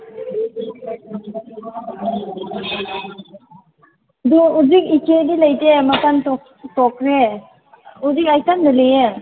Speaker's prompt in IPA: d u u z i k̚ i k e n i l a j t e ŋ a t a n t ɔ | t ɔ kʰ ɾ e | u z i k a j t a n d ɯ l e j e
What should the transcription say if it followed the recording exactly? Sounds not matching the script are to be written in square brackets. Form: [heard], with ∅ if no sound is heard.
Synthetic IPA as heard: d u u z i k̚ i k e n i l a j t e [m] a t a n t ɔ | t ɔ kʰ ɾ e | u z i k a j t a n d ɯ l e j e